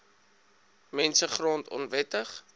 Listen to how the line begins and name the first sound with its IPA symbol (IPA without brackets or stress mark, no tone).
m